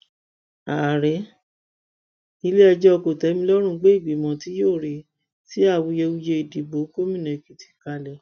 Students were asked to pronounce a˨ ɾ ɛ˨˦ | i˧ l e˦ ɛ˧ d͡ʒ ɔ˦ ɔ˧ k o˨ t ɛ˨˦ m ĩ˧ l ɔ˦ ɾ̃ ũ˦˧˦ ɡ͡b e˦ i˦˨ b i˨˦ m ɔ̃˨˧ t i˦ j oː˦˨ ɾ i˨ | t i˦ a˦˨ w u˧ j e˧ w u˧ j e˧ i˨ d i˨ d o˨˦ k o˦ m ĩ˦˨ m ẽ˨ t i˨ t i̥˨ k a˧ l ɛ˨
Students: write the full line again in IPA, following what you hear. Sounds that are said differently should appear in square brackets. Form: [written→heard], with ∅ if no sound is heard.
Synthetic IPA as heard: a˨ ɾ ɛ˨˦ | i˧ l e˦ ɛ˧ d͡ʒ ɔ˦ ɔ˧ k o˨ t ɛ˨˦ m ĩ˧ l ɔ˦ ɾ̃ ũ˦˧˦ ɡ͡b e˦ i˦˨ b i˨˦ m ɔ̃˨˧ t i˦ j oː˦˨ ɾ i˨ | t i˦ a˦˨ w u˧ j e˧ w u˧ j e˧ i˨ d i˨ [d→b] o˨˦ k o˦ m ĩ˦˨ [m→n] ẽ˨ [t→k] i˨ t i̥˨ k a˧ l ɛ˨

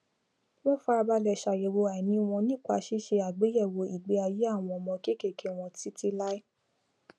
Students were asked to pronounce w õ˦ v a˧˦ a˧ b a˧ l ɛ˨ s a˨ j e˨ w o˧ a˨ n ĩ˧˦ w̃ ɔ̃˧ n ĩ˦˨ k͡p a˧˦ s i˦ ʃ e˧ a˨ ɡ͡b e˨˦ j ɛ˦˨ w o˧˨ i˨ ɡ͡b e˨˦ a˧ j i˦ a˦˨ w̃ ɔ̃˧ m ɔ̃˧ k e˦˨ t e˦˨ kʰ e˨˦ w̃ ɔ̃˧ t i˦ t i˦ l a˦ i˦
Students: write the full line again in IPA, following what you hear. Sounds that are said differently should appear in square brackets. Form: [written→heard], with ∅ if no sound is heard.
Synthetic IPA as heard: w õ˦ [v→f] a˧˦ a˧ b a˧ l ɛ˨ [s→ʃ] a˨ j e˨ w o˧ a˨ n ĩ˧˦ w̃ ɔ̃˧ n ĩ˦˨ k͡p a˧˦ [s→ʃ] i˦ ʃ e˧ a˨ ɡ͡b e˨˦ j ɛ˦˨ w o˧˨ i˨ ɡ͡b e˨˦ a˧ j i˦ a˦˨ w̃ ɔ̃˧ m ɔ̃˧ k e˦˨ [t→k] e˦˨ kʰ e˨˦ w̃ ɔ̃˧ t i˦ t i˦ l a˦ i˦

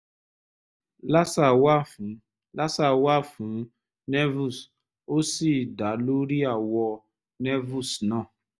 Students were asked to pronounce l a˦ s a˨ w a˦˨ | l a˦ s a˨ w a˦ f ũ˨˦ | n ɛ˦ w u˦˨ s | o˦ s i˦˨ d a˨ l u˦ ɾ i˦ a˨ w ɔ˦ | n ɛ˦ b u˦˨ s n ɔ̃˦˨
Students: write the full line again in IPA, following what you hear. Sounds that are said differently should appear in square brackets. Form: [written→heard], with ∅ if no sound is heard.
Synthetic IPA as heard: l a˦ s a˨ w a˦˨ | l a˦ s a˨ w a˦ f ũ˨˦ | n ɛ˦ [w→v] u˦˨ s | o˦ s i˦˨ d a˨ l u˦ ɾ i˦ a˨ w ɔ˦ | n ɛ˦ [b→v] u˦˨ s n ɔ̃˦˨

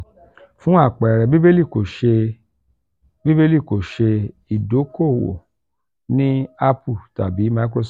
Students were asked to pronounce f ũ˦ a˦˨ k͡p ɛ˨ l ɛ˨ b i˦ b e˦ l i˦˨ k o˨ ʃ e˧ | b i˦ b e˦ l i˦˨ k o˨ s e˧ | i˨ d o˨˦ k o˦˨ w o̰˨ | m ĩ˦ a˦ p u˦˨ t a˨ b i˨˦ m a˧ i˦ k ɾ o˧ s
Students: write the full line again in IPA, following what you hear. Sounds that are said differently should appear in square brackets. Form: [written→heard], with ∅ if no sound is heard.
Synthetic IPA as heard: f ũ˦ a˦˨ k͡p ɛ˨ [l→ɾ] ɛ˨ b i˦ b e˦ l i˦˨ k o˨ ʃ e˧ | b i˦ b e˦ l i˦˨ k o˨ [s→ʃ] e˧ | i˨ d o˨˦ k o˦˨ w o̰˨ | [m→n] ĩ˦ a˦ p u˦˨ t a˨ b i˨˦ m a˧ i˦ k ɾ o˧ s

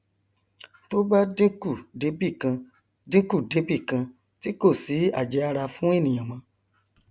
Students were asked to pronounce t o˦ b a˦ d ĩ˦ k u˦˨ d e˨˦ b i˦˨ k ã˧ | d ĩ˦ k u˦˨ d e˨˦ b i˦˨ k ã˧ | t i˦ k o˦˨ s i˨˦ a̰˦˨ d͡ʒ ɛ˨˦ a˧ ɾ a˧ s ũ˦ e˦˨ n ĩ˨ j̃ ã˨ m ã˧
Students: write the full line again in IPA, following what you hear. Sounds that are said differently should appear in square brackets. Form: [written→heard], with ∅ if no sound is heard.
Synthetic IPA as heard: t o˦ b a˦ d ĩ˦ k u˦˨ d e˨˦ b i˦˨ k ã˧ | d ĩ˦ k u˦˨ d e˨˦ b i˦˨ k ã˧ | t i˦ k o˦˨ s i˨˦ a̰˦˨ d͡ʒ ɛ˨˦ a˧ ɾ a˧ [s→f] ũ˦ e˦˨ n ĩ˨ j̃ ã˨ m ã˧

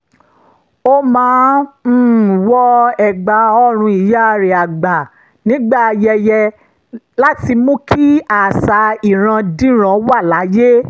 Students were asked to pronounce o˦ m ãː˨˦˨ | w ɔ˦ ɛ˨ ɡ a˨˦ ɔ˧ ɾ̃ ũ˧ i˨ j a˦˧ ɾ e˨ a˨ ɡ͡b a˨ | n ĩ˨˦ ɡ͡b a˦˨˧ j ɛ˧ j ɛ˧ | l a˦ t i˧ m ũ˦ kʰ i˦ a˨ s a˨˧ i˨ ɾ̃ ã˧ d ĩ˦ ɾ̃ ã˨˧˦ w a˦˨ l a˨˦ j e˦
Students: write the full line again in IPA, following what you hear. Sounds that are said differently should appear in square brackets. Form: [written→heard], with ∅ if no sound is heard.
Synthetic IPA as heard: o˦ m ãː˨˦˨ | w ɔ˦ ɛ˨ [ɡ→ɡ͡b] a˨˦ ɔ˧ ɾ̃ ũ˧ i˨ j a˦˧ ɾ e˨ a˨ ɡ͡b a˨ | n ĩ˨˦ ɡ͡b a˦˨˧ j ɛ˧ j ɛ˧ | l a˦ t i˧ m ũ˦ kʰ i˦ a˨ s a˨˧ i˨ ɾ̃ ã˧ d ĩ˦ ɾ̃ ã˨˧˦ w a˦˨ l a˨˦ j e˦

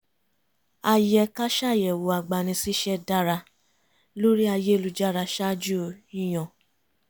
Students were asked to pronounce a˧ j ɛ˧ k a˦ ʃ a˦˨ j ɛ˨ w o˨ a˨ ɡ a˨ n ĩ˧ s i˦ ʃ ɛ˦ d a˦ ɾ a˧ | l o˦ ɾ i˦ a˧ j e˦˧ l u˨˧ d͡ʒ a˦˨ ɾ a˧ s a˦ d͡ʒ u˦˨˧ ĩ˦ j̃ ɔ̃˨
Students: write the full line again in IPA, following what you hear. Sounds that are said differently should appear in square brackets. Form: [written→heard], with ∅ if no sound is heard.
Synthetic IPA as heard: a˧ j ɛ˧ k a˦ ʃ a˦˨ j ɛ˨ w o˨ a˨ [ɡ→ɡ͡b] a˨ n ĩ˧ s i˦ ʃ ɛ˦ d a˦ ɾ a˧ | l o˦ ɾ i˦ a˧ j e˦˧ l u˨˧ d͡ʒ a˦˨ ɾ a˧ [s→ʃ] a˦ d͡ʒ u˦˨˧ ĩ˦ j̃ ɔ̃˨

